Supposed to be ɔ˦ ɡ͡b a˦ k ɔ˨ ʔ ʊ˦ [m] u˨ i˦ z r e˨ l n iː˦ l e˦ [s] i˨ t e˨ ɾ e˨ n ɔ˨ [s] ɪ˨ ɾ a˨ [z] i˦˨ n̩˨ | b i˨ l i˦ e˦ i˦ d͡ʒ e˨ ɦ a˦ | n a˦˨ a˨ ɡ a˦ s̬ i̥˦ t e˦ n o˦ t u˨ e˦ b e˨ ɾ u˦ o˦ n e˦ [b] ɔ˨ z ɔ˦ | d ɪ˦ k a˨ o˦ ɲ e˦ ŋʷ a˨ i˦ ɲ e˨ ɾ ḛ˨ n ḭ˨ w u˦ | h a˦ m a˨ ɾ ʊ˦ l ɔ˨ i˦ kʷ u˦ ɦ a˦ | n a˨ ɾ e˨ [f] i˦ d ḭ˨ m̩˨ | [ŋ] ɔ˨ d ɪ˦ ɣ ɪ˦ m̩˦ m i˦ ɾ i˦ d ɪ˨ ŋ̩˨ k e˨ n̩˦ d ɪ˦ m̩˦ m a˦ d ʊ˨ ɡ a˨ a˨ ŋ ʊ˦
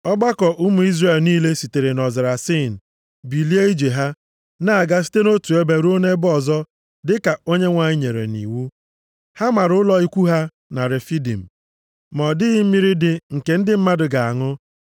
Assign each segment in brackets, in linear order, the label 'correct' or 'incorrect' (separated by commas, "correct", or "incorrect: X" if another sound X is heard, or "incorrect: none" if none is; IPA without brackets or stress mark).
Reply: correct, correct, incorrect: z, incorrect: s, correct, correct, incorrect: m